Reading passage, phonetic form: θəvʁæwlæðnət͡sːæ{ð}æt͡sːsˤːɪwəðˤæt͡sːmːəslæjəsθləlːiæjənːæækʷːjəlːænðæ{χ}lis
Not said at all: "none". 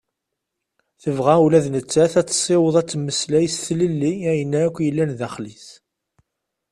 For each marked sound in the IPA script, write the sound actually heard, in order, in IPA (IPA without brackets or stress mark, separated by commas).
θ, χ